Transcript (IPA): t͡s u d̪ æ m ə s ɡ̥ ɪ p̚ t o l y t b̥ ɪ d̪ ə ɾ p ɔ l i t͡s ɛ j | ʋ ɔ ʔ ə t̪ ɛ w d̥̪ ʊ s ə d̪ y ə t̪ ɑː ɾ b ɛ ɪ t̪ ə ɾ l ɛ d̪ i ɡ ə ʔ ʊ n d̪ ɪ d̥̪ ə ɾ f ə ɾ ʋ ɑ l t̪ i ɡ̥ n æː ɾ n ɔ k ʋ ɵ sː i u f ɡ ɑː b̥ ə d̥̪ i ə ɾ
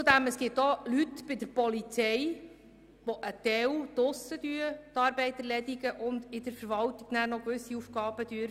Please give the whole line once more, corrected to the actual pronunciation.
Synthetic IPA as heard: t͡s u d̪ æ m ə s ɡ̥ ɪ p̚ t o l y t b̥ ɪ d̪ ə ɾ p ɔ l i t͡s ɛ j | ʋ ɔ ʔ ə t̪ ɛ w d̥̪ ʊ s ə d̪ y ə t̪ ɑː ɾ b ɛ ɪ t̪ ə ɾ l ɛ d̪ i ɡ ə ʔ ʊ n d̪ ɪ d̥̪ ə ɾ f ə ɾ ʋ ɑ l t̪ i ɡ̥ n æː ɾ n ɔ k ʋ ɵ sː i u f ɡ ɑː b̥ ə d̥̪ y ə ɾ